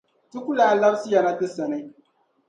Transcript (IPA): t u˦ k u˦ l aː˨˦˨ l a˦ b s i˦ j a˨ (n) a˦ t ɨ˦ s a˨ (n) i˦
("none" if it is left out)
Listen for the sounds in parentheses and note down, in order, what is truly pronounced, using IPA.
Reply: n, n

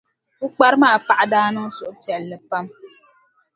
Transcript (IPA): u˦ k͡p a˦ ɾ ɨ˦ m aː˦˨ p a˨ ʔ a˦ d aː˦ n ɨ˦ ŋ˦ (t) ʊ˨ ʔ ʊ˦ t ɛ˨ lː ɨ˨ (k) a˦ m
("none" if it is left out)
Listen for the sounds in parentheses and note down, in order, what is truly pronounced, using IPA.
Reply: s, p

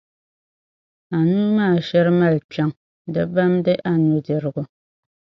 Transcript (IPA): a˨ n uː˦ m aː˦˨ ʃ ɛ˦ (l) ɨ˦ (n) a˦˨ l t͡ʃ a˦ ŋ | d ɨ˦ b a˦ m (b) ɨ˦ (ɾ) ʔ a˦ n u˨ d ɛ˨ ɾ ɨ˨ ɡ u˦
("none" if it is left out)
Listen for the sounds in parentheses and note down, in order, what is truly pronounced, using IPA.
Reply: ɾ, m, d, none

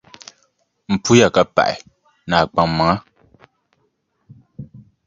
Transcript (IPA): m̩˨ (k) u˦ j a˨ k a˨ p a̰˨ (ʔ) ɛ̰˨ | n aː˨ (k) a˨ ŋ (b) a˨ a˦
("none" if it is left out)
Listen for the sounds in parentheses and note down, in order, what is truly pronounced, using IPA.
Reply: p, ʔ, k͡p, m

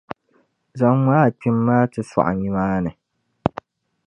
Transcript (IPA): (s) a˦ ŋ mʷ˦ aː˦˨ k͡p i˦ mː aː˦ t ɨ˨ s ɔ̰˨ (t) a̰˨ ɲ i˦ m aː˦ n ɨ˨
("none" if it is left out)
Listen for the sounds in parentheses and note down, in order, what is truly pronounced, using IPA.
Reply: z, ʔ

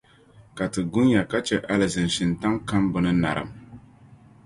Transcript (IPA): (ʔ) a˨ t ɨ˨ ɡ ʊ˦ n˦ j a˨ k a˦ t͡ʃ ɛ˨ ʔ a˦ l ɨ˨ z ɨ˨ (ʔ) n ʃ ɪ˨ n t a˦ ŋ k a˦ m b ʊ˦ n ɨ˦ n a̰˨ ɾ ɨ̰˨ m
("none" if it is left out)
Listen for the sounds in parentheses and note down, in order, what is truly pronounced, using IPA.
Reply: k, none

